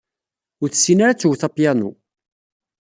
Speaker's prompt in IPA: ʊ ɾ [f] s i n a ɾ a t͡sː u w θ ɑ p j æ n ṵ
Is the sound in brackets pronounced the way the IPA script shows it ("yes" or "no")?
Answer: no